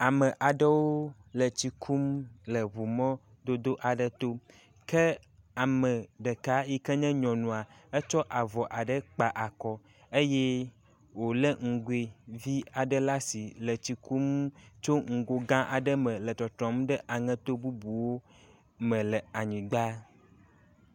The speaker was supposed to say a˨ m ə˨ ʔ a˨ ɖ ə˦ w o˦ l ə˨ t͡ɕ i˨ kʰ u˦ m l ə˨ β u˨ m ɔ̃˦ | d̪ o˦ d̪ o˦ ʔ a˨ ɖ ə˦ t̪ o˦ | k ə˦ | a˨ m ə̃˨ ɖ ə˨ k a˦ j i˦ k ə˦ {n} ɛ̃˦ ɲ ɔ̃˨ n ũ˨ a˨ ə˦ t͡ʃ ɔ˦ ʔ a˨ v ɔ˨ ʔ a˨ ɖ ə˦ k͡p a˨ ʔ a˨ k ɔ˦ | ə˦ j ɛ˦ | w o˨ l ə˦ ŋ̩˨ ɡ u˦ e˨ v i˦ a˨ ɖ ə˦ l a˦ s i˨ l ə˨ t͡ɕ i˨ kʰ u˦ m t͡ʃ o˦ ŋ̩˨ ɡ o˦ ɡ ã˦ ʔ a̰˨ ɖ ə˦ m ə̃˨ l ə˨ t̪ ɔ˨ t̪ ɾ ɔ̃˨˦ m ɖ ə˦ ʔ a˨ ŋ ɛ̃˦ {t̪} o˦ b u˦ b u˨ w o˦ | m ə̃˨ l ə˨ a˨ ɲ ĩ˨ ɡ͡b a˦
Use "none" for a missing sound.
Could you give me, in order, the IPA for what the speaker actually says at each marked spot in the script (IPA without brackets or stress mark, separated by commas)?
ɲ, t̪